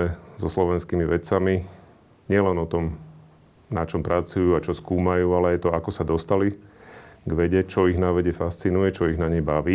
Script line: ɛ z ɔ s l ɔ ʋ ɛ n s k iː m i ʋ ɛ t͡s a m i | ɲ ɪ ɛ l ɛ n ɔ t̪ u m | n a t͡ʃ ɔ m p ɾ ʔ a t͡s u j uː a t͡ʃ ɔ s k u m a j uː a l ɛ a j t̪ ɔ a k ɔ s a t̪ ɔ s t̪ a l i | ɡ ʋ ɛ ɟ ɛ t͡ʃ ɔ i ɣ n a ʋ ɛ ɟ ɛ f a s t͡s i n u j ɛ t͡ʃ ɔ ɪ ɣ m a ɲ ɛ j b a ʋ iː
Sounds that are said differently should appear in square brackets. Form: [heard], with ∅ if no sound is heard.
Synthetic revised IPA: ɛ z ɔ s l ɔ ʋ ɛ n s k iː m i ʋ ɛ t͡s a m i | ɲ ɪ ɛ l ɛ n ɔ t̪ [ɔ] m | n a t͡ʃ ɔ m p ɾ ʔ a t͡s u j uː a t͡ʃ ɔ s k [uː] m a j uː a l ɛ a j t̪ ɔ a k ɔ s a [d̪] ɔ s t̪ a l i | ɡ ʋ ɛ ɟ ɛ t͡ʃ ɔ i ɣ n a ʋ ɛ ɟ ɛ f a s t͡s i n u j ɛ t͡ʃ ɔ [i] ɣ [n] a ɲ ɛ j b a ʋ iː